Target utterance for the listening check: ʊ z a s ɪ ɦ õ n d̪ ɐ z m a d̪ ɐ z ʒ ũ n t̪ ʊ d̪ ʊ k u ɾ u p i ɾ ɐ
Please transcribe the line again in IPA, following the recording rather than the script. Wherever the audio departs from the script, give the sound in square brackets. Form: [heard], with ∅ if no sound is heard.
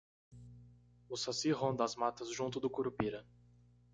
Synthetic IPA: ʊ [s] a s [i] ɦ õ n d̪ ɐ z m a [t̪] ɐ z ʒ ũ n t̪ ʊ d̪ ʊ k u ɾ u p i ɾ ɐ